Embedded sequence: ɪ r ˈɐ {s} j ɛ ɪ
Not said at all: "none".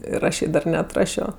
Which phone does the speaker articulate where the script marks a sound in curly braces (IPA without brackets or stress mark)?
ʃ